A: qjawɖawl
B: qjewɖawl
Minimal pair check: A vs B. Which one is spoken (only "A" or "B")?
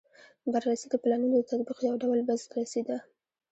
A